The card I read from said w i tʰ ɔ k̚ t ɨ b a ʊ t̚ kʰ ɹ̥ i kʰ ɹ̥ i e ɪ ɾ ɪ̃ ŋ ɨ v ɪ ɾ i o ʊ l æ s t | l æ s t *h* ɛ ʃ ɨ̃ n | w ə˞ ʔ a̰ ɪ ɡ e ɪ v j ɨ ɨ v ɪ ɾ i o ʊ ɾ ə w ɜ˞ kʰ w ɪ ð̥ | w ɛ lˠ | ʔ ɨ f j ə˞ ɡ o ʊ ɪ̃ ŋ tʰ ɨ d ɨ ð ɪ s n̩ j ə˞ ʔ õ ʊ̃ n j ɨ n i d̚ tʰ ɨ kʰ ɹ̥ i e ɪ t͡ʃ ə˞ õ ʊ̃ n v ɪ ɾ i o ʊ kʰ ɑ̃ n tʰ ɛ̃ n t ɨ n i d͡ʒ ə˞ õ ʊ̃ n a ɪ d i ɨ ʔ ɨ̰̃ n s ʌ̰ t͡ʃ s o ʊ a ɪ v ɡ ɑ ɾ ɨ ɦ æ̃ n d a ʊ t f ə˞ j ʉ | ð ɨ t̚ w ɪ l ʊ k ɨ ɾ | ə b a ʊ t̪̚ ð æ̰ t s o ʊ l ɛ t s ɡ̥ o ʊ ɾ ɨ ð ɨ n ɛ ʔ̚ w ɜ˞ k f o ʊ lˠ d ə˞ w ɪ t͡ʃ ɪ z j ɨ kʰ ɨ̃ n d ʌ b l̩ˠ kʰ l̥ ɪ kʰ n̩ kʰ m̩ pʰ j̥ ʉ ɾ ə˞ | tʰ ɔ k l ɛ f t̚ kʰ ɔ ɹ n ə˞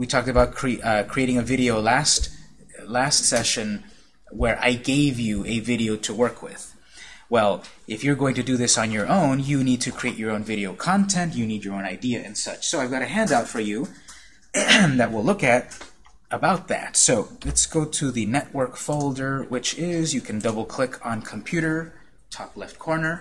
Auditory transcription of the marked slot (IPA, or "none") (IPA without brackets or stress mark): s